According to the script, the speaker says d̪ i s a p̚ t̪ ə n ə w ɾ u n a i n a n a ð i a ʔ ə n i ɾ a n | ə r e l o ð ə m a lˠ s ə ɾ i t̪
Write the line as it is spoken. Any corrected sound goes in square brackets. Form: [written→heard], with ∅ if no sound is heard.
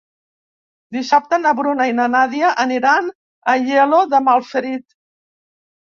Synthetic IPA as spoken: d̪ i s a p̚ t̪ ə n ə [w→β] ɾ u n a i n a n a ð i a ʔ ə n i ɾ a n | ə [r→ʎ] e l o ð ə m a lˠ [s→f] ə ɾ i t̪